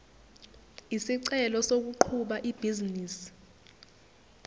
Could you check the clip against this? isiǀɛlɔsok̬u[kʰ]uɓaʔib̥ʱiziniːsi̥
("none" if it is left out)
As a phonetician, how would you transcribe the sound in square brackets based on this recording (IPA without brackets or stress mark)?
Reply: ǃʰ